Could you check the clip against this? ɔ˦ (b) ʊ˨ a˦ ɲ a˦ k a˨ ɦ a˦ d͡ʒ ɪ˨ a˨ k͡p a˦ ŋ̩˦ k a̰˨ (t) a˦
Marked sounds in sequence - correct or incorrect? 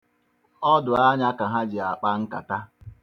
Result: incorrect: d, correct

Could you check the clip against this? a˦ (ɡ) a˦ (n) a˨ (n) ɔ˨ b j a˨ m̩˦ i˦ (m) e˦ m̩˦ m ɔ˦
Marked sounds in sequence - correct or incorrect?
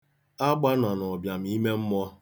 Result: incorrect: ɡ͡b, correct, correct, correct

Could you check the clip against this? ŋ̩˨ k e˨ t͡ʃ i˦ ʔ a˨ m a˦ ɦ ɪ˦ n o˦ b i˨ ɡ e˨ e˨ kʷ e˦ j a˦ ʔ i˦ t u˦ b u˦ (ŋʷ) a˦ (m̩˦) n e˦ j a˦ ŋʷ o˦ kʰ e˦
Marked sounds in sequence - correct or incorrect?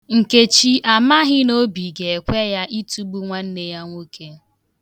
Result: correct, incorrect: n̩˦

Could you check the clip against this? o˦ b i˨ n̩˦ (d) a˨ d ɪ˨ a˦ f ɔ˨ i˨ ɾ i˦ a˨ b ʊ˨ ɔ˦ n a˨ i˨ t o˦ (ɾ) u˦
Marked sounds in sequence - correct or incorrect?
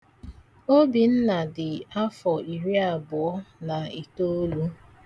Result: incorrect: n, incorrect: l

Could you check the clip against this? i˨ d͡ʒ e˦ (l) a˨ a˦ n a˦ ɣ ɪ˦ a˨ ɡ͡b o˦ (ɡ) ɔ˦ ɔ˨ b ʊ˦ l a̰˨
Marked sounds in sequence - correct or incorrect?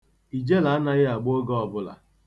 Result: correct, correct

